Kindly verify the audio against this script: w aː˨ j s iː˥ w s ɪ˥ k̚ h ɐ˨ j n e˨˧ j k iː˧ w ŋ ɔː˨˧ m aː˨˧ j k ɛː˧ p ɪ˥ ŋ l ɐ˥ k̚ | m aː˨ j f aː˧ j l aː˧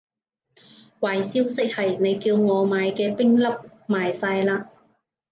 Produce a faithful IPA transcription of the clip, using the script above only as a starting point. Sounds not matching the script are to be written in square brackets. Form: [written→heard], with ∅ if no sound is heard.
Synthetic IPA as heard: w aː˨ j s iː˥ w s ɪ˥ k̚ h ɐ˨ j n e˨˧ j k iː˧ w ŋ ɔː˨˧ m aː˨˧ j k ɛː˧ p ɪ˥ ŋ l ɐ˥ [k̚→p̚] | m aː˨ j [f→s] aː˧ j l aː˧

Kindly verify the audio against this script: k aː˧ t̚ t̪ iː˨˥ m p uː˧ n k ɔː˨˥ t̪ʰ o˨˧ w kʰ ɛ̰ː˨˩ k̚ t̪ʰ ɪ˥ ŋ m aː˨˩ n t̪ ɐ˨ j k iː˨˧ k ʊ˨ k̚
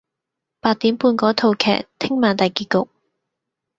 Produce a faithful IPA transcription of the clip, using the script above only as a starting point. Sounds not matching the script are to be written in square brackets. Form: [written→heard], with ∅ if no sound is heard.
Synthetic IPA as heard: [k→p] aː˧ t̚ t̪ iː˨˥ m p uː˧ n k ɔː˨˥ t̪ʰ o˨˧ w kʰ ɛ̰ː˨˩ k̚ t̪ʰ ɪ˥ ŋ m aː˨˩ n t̪ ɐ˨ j k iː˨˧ k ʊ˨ k̚

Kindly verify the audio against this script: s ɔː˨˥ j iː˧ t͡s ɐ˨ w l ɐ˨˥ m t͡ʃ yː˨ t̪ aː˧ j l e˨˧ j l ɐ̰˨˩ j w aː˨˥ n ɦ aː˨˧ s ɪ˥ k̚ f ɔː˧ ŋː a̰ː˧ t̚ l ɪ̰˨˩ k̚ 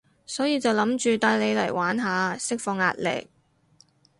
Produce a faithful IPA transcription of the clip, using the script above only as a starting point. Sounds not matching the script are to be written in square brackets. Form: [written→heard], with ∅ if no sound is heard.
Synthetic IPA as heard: s ɔː˨˥ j iː˧ t͡s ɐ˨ w l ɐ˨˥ m t͡ʃ yː˨ t̪ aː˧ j l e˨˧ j l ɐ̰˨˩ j w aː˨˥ n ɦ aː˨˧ s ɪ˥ k̚ f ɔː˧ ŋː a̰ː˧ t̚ l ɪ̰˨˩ k̚

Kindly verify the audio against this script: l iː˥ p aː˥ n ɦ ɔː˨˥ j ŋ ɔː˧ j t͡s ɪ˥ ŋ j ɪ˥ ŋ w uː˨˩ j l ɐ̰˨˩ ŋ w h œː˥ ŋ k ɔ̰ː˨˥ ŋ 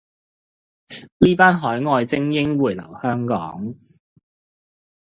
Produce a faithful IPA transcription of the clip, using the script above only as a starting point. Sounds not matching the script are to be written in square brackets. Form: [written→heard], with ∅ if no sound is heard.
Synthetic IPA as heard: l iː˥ p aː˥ n ɦ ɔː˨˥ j ŋ ɔː˧ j t͡s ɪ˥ ŋ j ɪ˥ ŋ w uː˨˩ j l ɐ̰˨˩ [ŋ→∅] w h œː˥ ŋ k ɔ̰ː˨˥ ŋ

